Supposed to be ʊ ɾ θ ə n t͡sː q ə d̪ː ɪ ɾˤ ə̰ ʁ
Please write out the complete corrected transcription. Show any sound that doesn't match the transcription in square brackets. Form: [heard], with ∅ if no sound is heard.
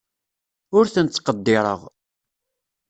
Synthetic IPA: ʊ ɾ θ ə n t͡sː q ə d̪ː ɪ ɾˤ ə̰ ʁ